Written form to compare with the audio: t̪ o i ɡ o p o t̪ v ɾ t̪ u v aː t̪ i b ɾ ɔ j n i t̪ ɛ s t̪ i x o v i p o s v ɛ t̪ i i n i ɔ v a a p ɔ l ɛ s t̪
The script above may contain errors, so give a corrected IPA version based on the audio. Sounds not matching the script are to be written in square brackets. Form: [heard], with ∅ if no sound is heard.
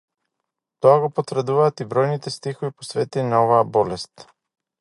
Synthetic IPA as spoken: t̪ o [a] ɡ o p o t̪ v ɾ [d̪] u v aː t̪ i b ɾ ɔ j n i t̪ ɛ s t̪ i x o v i p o s v ɛ t̪ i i n [a] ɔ v a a [b] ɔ l ɛ s t̪